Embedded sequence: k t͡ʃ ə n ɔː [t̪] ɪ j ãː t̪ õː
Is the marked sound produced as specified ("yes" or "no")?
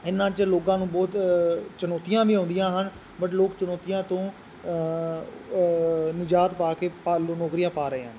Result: yes